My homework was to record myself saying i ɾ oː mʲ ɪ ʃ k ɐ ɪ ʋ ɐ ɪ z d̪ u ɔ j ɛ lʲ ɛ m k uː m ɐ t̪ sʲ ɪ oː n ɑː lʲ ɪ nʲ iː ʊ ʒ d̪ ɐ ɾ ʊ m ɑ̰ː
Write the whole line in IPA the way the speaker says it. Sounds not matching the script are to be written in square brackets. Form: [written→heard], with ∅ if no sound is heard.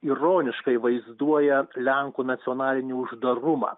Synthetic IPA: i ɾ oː [mʲ→nʲ] ɪ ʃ k ɐ ɪ ʋ ɐ ɪ z d̪ u ɔ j ɛ lʲ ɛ [m→ŋ] k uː [m→n] ɐ t̪ sʲ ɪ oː n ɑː lʲ ɪ nʲ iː ʊ ʒ d̪ ɐ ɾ ʊ m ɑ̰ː